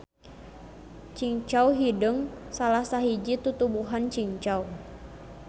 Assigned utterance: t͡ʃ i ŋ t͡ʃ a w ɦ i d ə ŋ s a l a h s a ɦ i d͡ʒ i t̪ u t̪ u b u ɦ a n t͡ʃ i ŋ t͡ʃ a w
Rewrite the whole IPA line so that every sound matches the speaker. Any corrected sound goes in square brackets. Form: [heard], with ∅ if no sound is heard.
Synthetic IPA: t͡ʃ i ŋ t͡ʃ a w ɦ i d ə ŋ s a l a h s a ɦ i d͡ʒ i t̪ u t̪ u b u ɦ a n t͡ʃ i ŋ t͡ʃ a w